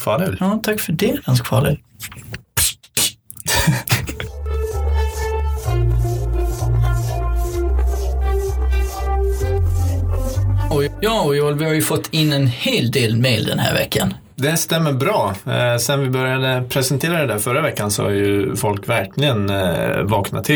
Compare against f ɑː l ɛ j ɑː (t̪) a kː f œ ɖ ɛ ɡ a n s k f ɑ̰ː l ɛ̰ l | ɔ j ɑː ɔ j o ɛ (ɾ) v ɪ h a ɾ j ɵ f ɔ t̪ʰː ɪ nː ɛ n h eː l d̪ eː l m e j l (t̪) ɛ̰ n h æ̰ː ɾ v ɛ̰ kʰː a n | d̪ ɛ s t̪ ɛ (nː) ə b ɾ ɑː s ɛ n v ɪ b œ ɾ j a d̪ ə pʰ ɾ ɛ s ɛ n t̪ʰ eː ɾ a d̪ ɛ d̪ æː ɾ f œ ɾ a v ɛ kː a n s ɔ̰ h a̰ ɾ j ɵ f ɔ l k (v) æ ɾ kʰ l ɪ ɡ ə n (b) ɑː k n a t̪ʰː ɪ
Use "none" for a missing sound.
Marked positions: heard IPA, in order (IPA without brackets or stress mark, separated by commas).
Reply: t̪ʰ, l, d̪, mː, v, v